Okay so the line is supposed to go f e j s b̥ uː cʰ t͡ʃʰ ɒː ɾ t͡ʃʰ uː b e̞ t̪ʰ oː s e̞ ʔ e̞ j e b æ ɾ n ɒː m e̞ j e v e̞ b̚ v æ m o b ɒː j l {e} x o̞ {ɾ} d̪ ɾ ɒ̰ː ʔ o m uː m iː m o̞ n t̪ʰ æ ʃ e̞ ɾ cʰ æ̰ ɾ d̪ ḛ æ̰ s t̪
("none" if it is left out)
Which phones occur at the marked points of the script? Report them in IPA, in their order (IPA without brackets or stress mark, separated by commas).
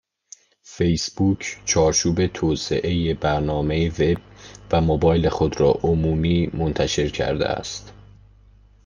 e, none